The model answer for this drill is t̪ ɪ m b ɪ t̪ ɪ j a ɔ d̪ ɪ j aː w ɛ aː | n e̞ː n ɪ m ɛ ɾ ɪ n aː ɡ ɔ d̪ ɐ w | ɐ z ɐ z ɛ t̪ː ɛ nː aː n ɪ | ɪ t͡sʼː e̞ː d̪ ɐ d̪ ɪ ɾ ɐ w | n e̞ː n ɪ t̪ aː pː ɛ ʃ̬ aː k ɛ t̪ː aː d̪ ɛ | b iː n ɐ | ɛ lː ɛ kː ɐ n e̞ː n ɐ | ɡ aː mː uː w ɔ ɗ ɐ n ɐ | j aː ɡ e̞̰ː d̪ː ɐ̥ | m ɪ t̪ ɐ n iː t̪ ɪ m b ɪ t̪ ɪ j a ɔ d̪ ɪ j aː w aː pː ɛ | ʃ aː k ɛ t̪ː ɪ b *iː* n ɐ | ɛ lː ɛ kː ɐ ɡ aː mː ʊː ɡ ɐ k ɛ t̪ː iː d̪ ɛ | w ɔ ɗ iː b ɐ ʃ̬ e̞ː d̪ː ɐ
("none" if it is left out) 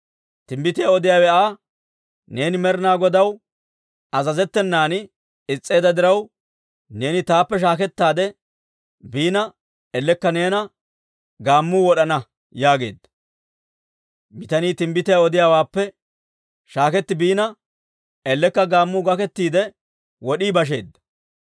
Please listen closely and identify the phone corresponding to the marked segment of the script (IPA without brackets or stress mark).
iː